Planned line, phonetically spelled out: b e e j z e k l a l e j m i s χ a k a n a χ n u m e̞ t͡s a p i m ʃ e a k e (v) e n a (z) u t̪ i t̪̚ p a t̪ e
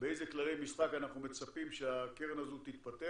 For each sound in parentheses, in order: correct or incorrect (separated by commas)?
incorrect, correct